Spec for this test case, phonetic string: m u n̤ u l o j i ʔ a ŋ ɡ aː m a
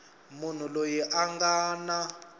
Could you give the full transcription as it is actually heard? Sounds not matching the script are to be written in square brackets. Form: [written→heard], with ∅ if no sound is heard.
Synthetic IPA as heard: m u n̤ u l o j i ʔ a ŋ ɡ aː [m→n] a